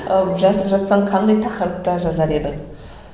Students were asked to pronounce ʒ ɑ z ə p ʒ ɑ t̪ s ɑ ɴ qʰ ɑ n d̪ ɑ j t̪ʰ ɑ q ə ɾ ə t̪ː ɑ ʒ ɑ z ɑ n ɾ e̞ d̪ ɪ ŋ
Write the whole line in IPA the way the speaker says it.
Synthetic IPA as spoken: ʒ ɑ s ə p ʒ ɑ t̪ s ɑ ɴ qʰ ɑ n d̪ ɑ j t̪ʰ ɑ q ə ɾ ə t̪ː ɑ ʒ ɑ z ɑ ɾ e̞ d̪ ɪ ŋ